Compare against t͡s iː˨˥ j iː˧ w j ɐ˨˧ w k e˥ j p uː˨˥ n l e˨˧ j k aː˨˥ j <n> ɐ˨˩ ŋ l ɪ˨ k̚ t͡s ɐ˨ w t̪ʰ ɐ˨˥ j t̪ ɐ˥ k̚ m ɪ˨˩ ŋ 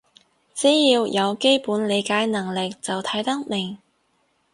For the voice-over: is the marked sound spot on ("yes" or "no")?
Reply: yes